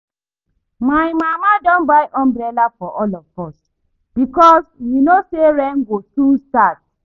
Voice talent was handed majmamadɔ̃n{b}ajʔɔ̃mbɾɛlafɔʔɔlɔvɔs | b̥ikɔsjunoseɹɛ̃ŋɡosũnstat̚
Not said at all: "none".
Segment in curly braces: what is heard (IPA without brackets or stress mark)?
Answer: b